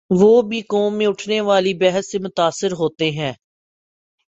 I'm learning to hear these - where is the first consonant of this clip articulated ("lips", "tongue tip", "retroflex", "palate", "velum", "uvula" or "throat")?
lips